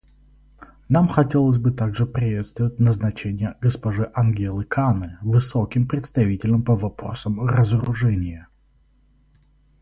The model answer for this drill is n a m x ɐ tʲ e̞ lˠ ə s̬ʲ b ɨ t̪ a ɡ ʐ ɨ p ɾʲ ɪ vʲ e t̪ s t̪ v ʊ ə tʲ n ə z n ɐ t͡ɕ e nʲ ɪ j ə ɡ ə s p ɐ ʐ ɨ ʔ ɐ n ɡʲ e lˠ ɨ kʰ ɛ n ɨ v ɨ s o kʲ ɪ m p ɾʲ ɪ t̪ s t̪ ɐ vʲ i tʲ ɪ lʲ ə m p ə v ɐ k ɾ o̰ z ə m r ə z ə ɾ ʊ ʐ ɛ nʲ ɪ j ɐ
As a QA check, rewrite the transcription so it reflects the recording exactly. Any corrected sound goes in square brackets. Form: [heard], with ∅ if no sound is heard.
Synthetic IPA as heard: n a m x ɐ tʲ e̞ lˠ ə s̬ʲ b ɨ t̪ a ɡ ʐ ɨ p ɾʲ ɪ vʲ e t̪ s t̪ v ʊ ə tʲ n ə z n ɐ t͡ɕ e nʲ ɪ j ə ɡ ə s p ɐ ʐ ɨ ʔ ɐ n ɡʲ e lˠ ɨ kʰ [a] n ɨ v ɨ s o kʲ ɪ m p ɾʲ ɪ t̪ s t̪ ɐ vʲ i tʲ ɪ lʲ ə m p ə v ɐ [p] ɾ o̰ [s] ə m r ə z ə ɾ ʊ ʐ ɛ nʲ ɪ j [ə]